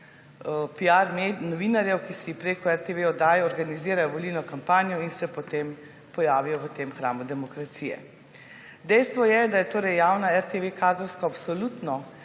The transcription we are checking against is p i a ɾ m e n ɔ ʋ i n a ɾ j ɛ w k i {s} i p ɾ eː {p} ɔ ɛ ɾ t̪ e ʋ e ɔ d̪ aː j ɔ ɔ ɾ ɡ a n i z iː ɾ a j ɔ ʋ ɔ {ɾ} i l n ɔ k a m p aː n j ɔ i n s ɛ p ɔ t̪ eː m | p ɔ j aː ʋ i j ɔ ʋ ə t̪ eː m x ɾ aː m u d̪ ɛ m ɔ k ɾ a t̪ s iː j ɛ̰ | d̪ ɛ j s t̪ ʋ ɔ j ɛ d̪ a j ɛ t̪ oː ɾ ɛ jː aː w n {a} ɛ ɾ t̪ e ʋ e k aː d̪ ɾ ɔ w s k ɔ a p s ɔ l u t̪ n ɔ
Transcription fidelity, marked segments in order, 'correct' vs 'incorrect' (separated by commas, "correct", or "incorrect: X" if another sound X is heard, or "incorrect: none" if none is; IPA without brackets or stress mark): correct, incorrect: k, incorrect: l, correct